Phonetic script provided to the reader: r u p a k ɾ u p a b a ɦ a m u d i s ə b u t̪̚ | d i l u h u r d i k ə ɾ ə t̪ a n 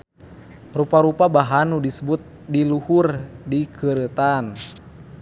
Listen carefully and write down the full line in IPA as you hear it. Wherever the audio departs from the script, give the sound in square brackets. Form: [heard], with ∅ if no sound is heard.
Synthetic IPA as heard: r u p a [∅] ɾ u p a b a ɦ a [n] u d i s ə b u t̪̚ | d i l u h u r d i k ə ɾ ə t̪ a n